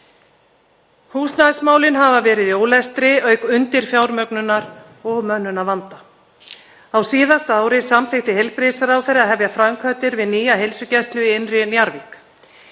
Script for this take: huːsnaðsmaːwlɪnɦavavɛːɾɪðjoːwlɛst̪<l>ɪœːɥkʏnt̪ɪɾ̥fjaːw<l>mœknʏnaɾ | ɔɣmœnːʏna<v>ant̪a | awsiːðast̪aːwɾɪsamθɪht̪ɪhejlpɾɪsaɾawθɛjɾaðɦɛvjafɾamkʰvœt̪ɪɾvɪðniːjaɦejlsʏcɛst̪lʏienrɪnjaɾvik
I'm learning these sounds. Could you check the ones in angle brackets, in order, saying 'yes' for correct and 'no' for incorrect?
no, no, yes

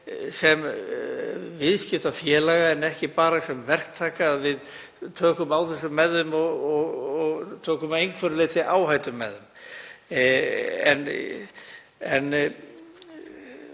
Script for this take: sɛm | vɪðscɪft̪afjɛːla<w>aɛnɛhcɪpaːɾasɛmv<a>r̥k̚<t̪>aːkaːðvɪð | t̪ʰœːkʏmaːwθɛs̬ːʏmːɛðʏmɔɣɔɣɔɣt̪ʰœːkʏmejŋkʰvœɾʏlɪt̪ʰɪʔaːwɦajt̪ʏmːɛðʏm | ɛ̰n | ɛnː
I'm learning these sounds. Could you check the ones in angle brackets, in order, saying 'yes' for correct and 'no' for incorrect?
no, no, no

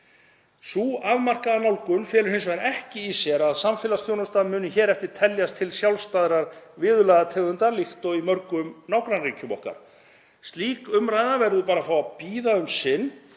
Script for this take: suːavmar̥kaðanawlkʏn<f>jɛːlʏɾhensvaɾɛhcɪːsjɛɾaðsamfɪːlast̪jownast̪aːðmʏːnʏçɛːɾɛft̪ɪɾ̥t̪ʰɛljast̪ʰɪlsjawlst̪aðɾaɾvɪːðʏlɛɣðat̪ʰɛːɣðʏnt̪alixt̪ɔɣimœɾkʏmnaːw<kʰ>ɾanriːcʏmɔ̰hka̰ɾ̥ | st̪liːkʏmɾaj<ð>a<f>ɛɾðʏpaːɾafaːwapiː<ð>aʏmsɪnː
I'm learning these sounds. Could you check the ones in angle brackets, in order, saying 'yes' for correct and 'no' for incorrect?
yes, no, yes, no, yes

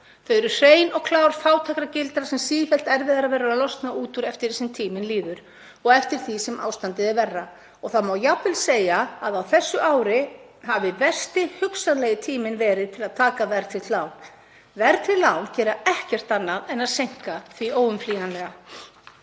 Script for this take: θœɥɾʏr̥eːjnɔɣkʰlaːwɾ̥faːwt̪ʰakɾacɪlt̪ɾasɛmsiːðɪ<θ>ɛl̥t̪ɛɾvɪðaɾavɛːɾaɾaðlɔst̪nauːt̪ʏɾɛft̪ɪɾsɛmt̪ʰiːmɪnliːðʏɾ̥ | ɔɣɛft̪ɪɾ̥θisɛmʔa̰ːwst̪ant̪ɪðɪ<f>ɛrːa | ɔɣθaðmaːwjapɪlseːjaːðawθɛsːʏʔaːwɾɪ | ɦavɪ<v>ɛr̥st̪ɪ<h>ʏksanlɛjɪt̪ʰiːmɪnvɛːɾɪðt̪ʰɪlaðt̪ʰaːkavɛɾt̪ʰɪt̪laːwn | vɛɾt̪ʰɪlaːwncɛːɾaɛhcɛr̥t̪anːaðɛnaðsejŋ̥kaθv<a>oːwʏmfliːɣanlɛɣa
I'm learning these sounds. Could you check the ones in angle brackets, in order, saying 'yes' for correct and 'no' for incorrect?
no, no, yes, yes, no

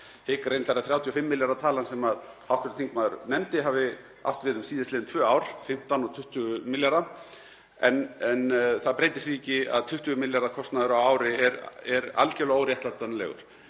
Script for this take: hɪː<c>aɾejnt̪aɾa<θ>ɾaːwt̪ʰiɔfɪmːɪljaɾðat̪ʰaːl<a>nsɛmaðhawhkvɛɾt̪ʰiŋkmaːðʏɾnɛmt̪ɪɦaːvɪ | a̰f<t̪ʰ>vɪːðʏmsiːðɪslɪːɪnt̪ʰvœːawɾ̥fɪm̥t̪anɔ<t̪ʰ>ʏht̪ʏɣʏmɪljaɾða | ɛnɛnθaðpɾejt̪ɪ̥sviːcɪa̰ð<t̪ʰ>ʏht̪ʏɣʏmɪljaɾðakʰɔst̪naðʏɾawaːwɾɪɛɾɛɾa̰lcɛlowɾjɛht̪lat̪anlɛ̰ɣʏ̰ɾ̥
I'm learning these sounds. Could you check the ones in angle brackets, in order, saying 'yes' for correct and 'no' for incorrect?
no, yes, yes, no, yes, yes

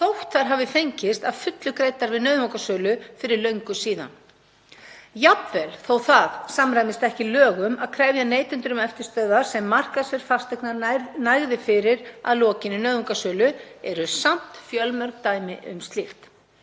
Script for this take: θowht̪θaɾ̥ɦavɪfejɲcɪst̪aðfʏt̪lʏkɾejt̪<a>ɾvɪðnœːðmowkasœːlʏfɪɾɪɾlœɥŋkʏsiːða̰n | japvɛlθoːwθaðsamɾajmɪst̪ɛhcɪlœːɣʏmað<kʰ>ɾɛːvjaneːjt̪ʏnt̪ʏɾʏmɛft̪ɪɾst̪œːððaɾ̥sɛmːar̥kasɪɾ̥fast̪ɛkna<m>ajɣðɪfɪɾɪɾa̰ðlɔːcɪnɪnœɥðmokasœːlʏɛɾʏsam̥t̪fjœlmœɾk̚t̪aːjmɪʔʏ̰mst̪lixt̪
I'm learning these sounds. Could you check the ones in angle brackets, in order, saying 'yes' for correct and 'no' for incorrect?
yes, yes, no

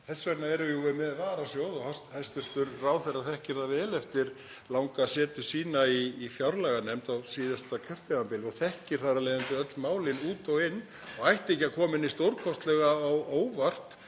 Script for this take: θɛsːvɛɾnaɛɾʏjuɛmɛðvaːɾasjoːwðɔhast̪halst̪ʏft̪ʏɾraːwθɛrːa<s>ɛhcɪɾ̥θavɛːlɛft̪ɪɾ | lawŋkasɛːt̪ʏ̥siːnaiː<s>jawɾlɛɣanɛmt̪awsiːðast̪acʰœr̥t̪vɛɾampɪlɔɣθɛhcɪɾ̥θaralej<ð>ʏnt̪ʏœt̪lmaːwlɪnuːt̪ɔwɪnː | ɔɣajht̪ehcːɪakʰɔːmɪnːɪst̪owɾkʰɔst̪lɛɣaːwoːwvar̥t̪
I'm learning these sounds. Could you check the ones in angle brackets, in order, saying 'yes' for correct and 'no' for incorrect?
no, no, yes

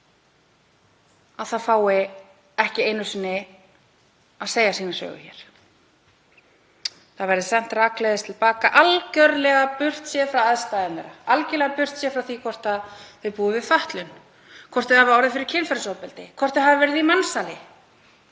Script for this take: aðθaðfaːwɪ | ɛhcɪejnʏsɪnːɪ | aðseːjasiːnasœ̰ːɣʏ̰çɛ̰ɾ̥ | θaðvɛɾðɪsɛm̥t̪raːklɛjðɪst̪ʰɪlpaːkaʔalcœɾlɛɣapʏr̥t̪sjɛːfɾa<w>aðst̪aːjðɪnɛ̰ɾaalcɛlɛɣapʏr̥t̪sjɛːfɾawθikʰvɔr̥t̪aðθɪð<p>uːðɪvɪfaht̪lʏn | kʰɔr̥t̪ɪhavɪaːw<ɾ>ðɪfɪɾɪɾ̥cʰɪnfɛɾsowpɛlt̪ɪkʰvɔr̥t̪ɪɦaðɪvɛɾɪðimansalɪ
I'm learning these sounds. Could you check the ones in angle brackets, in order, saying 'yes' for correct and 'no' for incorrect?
yes, yes, yes

